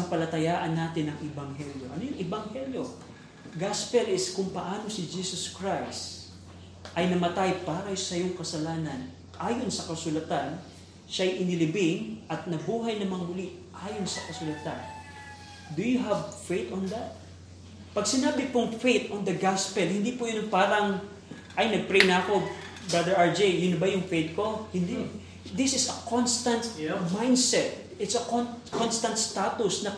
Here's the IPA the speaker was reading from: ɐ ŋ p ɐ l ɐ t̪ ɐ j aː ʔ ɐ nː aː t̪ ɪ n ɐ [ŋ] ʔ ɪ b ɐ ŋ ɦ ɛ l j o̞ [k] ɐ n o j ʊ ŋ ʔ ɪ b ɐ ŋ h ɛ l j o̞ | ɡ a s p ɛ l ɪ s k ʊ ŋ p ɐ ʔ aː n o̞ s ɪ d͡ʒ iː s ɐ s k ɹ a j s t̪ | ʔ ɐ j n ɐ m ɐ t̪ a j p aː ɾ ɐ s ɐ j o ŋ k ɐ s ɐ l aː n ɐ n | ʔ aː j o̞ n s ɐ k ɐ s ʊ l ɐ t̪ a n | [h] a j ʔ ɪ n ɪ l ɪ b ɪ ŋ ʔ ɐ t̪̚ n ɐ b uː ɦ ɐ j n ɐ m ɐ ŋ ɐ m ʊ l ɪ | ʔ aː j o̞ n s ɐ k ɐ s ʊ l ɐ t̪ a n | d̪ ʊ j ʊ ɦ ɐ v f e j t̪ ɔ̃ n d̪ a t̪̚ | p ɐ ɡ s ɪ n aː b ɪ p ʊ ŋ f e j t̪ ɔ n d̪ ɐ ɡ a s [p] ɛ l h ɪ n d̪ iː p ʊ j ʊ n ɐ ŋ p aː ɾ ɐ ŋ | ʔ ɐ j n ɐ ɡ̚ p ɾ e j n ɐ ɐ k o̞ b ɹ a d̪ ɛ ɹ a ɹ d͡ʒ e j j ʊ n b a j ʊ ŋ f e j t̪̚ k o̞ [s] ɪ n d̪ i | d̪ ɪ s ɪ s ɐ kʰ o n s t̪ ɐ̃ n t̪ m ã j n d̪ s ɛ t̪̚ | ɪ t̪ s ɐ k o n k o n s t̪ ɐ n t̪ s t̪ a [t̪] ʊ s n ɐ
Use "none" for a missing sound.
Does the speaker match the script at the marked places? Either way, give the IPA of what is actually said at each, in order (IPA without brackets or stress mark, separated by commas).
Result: ŋ, ʔ, ʃ, p, h, t̪